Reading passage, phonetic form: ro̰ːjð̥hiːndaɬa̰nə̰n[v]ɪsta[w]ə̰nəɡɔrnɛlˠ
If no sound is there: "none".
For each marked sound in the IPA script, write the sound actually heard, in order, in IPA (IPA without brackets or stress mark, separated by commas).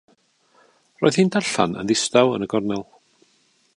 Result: ð, w